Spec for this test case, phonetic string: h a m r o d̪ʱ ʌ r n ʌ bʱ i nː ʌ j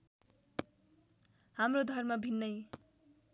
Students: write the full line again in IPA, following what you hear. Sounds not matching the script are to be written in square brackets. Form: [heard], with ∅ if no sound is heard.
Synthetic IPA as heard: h a m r o d̪ʱ ʌ r [m] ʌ bʱ i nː ʌ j